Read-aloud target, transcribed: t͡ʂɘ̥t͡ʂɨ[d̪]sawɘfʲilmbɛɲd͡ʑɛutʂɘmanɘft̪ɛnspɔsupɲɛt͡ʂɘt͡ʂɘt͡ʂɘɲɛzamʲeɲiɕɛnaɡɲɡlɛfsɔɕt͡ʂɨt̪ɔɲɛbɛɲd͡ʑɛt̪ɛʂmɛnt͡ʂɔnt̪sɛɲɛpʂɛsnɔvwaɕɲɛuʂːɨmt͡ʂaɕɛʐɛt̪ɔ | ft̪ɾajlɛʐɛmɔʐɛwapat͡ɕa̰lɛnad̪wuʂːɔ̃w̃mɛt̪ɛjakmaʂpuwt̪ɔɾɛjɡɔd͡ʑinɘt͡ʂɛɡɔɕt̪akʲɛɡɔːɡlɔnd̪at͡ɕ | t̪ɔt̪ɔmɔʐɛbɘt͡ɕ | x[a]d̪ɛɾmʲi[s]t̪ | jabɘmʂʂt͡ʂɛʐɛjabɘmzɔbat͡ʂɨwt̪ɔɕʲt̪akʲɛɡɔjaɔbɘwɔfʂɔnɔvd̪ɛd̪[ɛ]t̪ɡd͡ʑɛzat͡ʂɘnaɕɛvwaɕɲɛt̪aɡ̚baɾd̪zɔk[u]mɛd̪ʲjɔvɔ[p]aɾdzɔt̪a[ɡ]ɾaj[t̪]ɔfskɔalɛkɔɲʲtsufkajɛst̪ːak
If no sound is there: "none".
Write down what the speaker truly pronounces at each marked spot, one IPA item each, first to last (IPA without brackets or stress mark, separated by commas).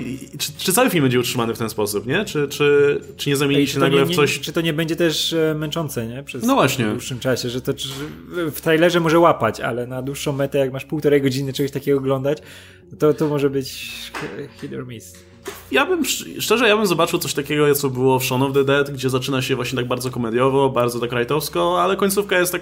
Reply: t̪, i, s, ɛ, ɔ, b, k, t̪